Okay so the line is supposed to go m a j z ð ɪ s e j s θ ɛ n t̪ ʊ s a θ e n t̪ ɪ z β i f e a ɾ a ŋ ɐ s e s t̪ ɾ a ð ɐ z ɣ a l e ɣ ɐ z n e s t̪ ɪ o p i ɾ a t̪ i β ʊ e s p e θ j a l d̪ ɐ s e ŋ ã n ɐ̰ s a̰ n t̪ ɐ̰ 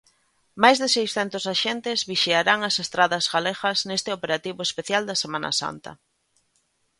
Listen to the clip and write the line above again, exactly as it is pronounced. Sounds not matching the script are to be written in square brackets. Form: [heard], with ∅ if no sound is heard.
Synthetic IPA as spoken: m a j z ð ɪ s e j s θ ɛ n t̪ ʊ s a [ʃ] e n t̪ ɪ z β i [ʃ] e a ɾ a ŋ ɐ s e s t̪ ɾ a ð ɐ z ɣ a l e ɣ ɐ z n e s t̪ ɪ o p [e] ɾ a t̪ i β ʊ e s p e θ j a l d̪ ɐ s e [m] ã n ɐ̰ s a̰ n t̪ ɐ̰